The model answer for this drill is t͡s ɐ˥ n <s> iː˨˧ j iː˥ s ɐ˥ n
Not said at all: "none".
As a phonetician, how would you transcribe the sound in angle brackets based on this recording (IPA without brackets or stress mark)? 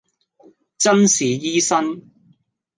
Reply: s